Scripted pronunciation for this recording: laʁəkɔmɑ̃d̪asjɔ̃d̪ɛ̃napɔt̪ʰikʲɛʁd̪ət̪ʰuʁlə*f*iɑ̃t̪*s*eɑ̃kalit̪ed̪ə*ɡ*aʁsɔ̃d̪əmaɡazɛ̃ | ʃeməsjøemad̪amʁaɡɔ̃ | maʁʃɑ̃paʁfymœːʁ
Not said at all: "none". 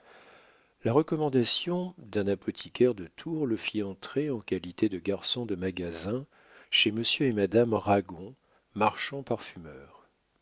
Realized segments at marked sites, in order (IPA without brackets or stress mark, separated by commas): f, χ, ɡ